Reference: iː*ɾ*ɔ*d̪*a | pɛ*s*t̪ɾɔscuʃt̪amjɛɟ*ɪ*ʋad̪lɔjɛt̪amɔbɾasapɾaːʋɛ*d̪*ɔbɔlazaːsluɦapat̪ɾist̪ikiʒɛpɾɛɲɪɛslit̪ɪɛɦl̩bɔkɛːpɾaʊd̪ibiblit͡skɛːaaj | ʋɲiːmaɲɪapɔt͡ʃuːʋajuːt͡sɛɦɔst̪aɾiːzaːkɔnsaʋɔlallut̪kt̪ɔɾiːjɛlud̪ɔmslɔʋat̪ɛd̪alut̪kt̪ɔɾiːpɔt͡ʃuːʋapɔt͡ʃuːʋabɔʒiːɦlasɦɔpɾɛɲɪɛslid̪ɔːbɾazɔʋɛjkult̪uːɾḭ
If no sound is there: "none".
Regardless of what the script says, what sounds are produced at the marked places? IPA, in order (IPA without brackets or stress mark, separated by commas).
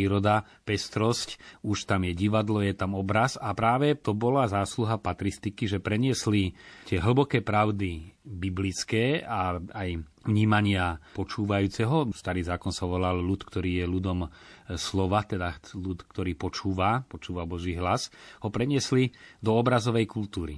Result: ɾ, d̪, s, i, t̪